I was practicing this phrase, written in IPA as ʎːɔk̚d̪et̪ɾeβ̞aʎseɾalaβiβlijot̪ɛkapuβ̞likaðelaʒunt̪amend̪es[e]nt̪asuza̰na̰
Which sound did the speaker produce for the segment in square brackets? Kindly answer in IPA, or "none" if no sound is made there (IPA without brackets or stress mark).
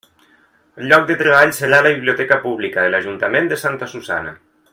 a